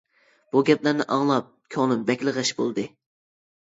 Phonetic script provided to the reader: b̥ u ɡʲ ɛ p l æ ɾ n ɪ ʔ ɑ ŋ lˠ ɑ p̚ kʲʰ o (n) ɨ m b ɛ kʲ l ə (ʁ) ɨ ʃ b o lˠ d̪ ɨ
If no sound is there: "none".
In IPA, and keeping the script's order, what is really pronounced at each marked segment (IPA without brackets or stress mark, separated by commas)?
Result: n, ʁ